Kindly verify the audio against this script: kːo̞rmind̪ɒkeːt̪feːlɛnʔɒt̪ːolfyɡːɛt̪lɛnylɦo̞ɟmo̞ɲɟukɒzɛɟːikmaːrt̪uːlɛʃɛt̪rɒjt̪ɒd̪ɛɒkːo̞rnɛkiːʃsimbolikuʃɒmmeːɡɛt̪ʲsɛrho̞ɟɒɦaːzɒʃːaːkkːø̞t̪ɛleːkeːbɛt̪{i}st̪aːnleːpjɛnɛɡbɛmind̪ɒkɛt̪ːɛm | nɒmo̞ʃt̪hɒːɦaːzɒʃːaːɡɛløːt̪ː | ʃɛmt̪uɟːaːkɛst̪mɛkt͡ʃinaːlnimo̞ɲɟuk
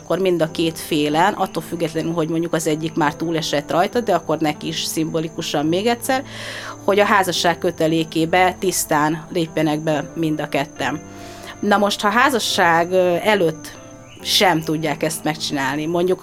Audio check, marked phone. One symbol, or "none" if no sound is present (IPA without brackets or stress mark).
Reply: i